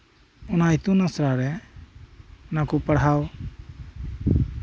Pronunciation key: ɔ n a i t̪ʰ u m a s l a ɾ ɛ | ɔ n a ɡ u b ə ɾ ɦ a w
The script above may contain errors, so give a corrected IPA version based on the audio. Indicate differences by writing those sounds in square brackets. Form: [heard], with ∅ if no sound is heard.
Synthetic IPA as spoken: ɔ n a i [t̪] u [n] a s [ɾ] a ɾ ɛ | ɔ n a [k] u [p] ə [ɽ] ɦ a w